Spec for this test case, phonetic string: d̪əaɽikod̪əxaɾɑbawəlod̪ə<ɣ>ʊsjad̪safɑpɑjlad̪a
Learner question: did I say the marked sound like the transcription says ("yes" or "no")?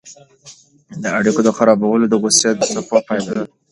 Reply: yes